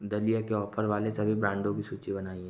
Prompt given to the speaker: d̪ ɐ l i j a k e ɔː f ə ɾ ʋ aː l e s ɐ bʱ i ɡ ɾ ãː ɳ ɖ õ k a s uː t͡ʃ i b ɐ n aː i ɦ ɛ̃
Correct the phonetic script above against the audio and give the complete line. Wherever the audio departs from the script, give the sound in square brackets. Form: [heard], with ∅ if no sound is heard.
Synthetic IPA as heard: d̪ ɐ l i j a k e ɔː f ə ɾ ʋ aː l e s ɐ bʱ i [b] ɾ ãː ɳ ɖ õ k [i] s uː t͡ʃ i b ɐ n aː i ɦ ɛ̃